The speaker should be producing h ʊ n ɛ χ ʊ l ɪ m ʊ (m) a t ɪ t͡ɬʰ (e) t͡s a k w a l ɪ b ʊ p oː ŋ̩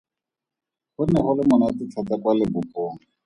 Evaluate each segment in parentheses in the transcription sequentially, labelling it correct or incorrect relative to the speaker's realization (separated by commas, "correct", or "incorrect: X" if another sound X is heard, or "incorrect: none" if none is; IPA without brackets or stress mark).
incorrect: n, incorrect: a